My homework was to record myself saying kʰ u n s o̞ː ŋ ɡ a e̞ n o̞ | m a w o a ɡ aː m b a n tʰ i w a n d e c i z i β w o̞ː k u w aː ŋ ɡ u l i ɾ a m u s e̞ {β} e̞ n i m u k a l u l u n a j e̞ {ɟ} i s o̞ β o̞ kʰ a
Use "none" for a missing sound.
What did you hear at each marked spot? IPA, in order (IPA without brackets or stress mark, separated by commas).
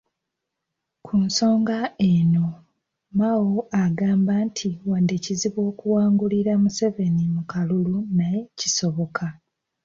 v, c